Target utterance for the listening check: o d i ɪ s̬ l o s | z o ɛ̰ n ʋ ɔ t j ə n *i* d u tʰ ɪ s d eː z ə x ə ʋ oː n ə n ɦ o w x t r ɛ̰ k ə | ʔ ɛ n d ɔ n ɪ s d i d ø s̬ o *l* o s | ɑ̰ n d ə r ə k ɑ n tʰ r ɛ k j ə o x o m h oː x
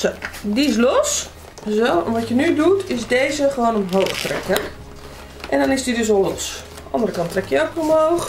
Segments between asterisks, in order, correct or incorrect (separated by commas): incorrect, correct